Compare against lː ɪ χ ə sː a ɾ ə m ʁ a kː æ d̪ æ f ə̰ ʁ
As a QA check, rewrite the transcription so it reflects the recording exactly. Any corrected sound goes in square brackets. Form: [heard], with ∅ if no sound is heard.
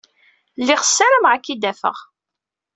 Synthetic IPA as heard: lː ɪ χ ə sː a ɾ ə m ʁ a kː [i] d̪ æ f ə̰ ʁ